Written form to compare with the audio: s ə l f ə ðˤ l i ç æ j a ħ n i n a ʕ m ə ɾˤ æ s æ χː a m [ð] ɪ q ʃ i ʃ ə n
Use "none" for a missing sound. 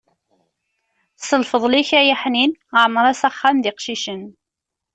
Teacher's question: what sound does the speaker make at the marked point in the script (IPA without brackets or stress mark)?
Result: ð